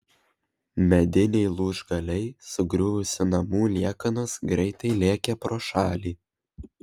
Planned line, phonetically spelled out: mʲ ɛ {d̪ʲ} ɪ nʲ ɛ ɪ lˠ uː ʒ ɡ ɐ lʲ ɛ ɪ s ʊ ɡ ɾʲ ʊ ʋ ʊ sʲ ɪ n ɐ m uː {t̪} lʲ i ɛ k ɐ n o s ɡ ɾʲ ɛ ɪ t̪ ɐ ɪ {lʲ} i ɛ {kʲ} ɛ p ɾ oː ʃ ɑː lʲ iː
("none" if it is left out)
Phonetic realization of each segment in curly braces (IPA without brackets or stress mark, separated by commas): d̪ʲ, none, lʲ, kʲ